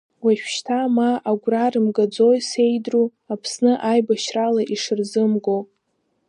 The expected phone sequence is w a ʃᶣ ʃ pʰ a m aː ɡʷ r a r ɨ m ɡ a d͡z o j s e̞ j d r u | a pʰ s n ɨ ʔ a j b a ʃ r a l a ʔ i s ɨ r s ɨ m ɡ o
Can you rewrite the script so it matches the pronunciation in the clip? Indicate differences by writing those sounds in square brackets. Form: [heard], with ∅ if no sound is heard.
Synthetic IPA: w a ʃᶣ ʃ [tʰ] a m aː ɡʷ r a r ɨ m ɡ a d͡z o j s e̞ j d r u | a pʰ s n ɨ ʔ a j b a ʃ r a l a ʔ i [ʂ] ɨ r [z] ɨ m ɡ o